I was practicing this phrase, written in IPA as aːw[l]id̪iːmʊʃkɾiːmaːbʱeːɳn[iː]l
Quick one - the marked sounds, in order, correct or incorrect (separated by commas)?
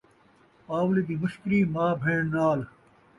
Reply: correct, incorrect